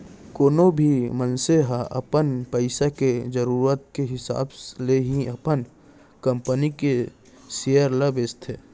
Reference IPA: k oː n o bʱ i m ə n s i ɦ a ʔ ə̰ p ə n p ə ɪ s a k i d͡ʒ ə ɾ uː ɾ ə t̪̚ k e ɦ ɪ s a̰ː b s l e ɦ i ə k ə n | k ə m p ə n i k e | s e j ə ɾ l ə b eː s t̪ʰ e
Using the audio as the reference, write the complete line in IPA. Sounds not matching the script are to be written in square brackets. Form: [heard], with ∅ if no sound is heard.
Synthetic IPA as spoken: k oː n o bʱ i m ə n s [e] ɦ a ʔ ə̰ p ə n p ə ɪ s a k [e] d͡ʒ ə ɾ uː ɾ ə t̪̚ k e ɦ ɪ s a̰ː b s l e ɦ i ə [p] ə n | k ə m p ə n i k e | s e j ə ɾ l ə b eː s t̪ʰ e